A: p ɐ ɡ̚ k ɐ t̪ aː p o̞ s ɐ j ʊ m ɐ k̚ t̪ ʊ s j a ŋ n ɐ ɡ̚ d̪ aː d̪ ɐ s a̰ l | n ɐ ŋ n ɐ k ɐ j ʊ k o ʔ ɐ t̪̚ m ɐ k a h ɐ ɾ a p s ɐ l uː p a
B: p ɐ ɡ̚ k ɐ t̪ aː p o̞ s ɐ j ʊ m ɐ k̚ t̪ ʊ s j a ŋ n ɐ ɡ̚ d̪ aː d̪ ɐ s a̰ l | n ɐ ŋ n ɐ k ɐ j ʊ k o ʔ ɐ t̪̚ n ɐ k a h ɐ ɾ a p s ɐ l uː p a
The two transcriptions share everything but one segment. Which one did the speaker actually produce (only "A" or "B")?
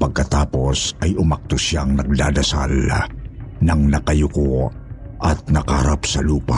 B